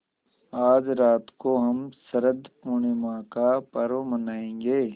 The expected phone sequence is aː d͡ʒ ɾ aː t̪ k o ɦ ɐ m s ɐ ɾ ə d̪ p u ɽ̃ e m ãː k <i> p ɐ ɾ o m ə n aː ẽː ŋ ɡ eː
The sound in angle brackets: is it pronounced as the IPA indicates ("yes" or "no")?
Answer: no